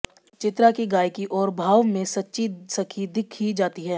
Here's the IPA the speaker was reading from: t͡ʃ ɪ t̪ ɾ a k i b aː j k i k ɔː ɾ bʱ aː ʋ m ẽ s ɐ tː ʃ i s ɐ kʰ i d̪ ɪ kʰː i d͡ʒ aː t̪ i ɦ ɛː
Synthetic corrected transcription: t͡ʃ ɪ t̪ ɾ a k i ɡ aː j k i ʔ ɔː ɾ bʱ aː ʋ m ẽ s ɐ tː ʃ i s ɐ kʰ i d̪ ɪ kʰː i d͡ʒ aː t̪ i ɦ ɛː